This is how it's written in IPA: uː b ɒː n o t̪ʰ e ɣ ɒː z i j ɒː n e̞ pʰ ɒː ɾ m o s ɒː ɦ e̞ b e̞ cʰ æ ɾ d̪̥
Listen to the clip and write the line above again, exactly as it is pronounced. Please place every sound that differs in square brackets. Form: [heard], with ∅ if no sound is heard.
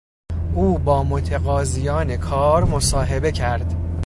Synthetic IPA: uː b ɒː [m] o t̪ʰ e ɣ ɒː z i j ɒː n e̞ [kʰ] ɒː ɾ m o s ɒː ɦ e̞ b e̞ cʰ æ ɾ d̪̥